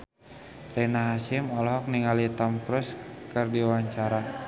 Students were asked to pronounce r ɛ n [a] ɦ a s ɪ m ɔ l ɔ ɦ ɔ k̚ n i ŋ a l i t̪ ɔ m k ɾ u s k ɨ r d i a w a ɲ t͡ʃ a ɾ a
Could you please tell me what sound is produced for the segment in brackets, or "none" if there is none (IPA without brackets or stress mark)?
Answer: a